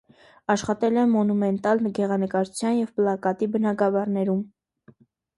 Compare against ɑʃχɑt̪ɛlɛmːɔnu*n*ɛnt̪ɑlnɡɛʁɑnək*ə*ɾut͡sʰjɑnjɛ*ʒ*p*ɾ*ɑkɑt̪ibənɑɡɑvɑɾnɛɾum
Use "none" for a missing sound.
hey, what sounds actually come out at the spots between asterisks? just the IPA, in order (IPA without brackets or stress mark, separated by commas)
m, ɑ, v, l